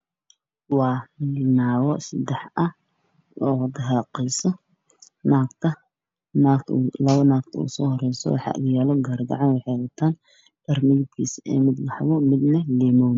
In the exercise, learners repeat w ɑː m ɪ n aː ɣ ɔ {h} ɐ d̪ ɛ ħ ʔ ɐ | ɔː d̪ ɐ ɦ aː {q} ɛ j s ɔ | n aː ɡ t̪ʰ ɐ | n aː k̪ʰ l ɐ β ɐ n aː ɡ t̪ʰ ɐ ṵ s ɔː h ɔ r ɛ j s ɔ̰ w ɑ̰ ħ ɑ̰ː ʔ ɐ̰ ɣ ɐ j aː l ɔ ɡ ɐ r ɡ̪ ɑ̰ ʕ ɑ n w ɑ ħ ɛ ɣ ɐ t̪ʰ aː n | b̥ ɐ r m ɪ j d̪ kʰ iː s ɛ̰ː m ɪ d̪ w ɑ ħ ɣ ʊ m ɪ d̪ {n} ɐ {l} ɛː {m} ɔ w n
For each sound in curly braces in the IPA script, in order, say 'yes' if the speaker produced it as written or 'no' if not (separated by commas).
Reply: no, yes, yes, yes, yes